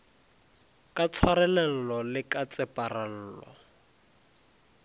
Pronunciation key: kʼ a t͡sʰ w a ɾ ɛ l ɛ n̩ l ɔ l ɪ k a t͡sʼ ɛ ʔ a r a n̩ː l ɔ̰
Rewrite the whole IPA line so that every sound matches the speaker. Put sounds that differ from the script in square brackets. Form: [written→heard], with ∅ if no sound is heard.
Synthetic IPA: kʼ a t͡sʰ w a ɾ ɛ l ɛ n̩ l ɔ l ɪ k a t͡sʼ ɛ [ʔ→p] a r a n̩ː l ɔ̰